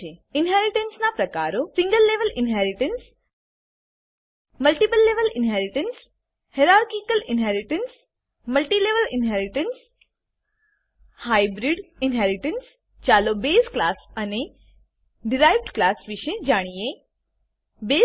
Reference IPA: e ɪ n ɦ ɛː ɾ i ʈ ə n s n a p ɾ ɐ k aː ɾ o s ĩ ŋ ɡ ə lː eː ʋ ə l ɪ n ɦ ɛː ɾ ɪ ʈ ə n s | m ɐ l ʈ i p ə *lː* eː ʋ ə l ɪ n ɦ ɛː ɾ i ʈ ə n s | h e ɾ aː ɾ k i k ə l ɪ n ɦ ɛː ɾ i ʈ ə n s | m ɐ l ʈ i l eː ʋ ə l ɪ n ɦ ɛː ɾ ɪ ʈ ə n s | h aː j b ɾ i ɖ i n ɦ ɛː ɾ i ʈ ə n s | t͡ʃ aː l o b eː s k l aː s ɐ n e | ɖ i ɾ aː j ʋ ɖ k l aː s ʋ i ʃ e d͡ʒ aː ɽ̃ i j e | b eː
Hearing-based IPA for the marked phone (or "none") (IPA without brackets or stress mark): lː